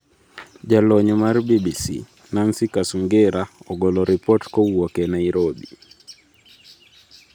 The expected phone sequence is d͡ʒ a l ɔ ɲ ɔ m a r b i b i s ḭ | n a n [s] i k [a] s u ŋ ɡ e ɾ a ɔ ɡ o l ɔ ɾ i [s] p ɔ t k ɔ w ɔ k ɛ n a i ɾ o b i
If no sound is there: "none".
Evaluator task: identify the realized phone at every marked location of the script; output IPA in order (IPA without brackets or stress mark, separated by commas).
s, a, none